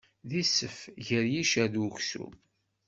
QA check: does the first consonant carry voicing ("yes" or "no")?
yes